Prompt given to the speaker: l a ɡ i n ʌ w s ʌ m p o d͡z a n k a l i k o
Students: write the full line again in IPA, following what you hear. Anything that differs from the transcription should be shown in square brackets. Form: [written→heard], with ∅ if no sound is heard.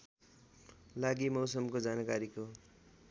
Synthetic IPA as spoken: l a ɡ i [n→m] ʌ w s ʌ m [p→k] o d͡z a n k a [l→ɾ] i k o

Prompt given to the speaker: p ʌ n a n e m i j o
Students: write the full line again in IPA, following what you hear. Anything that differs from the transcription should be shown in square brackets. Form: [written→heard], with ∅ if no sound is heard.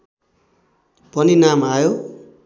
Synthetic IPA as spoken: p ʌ n [a→i] n [e→a] m [i→a] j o

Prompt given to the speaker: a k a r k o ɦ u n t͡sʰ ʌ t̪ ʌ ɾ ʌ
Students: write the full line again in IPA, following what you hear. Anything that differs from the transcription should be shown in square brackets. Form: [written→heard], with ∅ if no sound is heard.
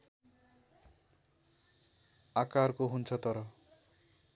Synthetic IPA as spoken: a k a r k o ɦ u n t͡sʰ ʌ t̪ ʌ ɾ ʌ

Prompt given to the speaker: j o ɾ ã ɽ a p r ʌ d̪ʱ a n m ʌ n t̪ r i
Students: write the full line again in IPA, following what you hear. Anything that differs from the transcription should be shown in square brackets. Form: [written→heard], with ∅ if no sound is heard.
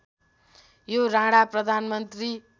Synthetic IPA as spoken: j o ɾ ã ɽ a p r ʌ d̪ʱ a n m ʌ n t̪ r i

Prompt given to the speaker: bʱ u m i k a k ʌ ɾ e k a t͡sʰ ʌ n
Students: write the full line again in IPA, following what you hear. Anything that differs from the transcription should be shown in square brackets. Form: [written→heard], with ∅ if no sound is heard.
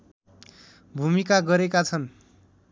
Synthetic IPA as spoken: bʱ u m i k a [k→ɡ] ʌ ɾ e k a t͡sʰ ʌ n

